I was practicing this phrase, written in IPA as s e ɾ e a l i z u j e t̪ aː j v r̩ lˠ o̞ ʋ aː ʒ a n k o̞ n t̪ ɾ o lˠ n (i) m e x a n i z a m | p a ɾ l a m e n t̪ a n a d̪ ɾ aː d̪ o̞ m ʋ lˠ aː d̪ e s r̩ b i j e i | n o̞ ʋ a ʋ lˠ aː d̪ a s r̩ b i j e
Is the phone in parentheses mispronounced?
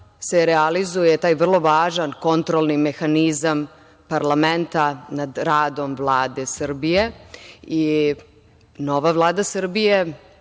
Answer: no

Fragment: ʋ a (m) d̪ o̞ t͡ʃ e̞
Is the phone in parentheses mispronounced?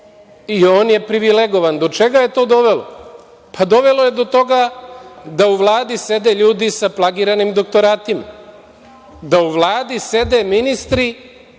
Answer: yes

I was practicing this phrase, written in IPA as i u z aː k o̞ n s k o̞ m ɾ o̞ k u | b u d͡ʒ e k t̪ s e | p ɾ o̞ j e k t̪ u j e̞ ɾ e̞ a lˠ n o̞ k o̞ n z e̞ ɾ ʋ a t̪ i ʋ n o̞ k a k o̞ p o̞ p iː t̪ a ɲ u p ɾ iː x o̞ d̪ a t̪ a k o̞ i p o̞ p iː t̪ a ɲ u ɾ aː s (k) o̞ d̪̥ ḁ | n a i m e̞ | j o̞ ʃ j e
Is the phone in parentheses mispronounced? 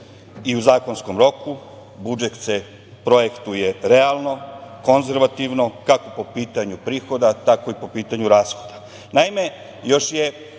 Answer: yes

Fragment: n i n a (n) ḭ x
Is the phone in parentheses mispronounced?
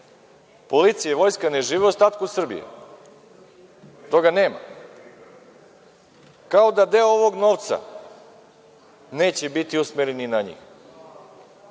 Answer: yes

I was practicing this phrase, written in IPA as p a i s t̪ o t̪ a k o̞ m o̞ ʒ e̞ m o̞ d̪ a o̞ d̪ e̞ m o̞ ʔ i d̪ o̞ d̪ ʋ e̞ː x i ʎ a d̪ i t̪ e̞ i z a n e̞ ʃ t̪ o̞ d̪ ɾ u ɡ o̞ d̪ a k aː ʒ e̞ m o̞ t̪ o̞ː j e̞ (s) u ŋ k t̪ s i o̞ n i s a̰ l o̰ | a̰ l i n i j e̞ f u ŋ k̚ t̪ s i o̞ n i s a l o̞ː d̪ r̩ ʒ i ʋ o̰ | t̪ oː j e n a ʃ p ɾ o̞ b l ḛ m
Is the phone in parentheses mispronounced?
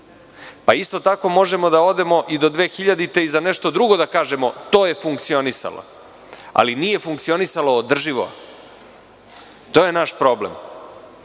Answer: yes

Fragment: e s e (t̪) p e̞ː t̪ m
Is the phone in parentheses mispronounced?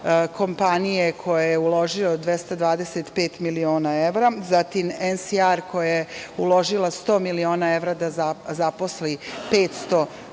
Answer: no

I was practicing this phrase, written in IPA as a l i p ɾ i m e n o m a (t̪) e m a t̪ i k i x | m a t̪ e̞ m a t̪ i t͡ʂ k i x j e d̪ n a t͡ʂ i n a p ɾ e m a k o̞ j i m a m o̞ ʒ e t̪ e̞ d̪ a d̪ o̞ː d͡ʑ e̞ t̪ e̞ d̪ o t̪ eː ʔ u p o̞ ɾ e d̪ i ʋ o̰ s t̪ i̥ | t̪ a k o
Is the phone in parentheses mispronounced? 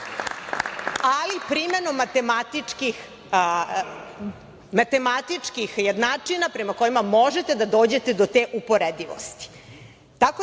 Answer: no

